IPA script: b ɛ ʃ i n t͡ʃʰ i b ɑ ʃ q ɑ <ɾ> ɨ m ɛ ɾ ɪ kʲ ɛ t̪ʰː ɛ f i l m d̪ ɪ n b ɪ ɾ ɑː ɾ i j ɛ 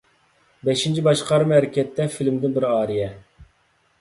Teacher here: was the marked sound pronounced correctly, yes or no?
yes